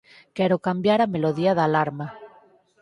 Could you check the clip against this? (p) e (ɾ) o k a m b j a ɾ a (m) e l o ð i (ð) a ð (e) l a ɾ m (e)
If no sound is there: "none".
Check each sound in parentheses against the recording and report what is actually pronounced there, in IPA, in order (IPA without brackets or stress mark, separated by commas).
k, ɾ, m, none, a, a